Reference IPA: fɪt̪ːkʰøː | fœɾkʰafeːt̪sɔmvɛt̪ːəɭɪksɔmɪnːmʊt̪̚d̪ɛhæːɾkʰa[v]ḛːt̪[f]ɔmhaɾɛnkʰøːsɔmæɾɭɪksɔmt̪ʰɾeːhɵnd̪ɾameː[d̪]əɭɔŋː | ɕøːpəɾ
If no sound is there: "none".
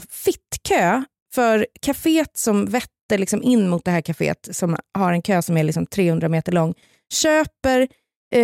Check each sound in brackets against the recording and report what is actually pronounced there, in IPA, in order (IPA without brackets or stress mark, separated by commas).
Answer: f, s, t̪